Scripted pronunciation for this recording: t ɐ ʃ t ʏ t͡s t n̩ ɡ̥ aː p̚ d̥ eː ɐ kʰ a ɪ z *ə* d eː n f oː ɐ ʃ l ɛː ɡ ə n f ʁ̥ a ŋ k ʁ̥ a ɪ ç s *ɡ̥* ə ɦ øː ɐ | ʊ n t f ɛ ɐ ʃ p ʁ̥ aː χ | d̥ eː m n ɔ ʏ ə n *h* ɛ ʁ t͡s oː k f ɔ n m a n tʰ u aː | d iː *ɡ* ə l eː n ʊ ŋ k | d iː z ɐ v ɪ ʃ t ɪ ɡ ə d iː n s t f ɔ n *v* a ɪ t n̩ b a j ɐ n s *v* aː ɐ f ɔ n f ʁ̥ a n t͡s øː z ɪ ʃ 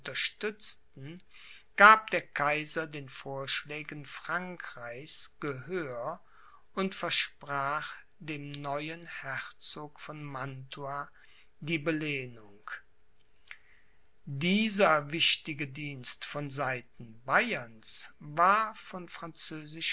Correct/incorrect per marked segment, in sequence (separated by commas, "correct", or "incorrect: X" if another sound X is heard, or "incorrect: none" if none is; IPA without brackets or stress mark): incorrect: ɐ, correct, correct, incorrect: b, incorrect: z, correct